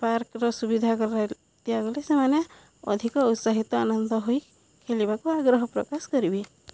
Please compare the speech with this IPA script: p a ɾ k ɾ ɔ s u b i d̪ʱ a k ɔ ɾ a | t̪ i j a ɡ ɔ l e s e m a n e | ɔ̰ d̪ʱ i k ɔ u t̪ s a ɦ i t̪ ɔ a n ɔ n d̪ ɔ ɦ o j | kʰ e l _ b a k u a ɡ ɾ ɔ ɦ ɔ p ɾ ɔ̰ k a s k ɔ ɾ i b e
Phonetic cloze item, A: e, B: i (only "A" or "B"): B